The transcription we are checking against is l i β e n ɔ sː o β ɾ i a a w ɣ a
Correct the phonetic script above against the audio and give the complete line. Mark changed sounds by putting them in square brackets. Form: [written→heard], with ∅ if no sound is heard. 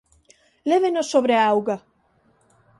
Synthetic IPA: l [i→e] β e n [ɔ→o] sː o β ɾ [i→e] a a w ɣ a